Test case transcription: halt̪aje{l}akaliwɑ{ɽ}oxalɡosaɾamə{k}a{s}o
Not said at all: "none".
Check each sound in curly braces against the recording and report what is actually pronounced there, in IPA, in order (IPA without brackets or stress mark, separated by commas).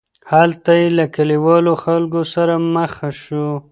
l, l, x, ʃ